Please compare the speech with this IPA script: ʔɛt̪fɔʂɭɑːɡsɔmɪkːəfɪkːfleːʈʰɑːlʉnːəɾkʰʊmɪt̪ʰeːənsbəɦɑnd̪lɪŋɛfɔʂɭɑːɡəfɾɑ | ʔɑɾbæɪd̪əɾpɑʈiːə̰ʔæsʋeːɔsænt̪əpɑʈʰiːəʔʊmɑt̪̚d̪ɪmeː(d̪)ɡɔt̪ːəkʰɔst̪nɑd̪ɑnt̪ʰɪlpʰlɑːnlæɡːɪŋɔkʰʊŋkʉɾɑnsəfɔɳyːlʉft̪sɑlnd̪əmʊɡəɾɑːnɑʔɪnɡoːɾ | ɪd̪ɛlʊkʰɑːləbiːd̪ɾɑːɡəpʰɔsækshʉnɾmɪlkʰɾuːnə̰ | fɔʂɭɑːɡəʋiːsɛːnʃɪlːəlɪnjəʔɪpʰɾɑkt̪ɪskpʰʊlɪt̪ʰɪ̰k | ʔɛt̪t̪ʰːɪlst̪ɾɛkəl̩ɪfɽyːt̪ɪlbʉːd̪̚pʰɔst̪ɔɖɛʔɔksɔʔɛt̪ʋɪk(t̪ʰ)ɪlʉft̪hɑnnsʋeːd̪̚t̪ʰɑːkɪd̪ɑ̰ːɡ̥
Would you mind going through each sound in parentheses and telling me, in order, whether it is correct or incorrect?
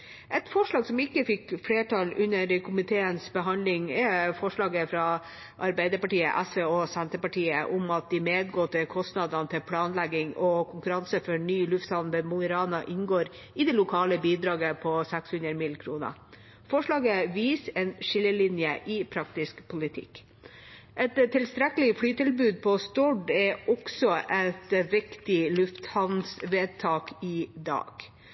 correct, incorrect

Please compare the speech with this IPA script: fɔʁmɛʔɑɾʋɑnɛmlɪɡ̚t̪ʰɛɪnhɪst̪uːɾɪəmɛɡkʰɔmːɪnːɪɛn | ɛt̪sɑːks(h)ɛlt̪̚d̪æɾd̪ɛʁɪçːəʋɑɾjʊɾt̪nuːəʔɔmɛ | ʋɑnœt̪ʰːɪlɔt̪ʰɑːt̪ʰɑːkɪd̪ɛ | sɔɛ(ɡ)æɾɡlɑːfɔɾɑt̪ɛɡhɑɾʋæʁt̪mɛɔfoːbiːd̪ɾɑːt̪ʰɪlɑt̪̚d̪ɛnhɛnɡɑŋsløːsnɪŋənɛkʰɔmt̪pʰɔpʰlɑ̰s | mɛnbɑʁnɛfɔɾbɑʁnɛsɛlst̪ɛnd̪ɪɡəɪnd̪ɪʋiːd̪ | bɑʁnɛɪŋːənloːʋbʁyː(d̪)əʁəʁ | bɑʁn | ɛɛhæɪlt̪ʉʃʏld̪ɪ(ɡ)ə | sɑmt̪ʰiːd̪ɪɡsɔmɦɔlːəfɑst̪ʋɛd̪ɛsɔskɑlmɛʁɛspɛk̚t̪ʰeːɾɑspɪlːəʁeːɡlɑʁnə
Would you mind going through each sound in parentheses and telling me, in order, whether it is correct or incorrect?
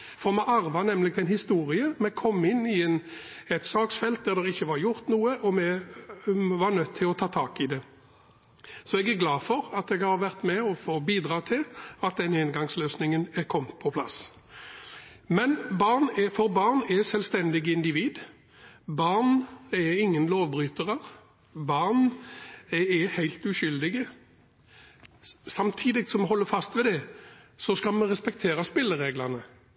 incorrect, correct, incorrect, correct

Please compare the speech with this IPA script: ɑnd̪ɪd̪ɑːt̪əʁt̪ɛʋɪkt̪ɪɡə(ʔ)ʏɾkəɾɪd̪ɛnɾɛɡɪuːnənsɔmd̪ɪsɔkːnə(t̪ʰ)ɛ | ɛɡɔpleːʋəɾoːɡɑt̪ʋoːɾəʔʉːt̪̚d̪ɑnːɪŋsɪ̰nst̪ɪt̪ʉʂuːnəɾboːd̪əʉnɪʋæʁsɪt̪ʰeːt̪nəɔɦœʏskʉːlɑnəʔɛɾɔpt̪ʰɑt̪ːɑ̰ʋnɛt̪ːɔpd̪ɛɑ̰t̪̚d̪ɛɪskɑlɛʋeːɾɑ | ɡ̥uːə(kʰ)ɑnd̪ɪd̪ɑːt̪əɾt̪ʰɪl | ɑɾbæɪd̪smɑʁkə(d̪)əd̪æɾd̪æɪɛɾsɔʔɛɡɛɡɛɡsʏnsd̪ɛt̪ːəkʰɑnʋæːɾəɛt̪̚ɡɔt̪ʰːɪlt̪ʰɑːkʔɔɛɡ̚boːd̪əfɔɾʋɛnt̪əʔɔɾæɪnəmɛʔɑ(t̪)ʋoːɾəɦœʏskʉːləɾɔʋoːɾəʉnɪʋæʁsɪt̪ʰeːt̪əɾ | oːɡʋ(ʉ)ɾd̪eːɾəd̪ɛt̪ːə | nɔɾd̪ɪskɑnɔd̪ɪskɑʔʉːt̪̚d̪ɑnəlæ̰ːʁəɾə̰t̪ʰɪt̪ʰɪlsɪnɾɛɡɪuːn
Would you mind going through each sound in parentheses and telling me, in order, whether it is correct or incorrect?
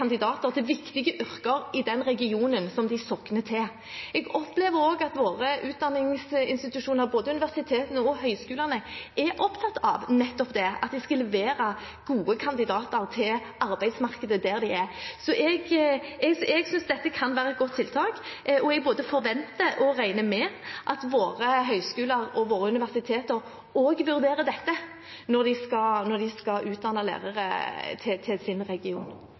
correct, correct, correct, correct, correct, correct

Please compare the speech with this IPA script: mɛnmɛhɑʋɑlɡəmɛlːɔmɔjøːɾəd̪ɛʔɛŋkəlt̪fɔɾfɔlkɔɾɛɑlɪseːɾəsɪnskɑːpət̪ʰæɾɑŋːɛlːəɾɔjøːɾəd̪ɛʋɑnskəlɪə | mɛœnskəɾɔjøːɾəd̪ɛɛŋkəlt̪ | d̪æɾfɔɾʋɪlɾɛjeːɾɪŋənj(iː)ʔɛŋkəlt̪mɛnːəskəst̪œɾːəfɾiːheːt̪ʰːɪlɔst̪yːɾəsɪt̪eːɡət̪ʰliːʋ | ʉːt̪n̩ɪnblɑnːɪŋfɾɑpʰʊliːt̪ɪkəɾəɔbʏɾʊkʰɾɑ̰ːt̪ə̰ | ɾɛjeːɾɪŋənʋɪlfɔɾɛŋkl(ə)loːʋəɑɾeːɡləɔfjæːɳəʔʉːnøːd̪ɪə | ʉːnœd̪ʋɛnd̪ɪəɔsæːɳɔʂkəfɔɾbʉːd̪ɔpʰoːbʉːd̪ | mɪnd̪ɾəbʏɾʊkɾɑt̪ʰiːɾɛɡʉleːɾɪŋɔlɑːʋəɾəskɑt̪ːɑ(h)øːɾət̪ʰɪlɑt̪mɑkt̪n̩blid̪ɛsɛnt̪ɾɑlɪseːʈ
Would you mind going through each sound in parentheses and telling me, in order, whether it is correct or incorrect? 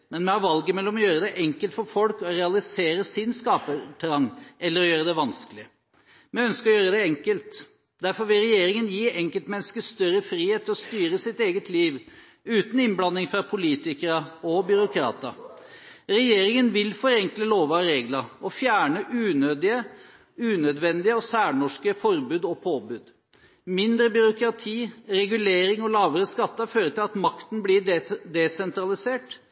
correct, correct, incorrect

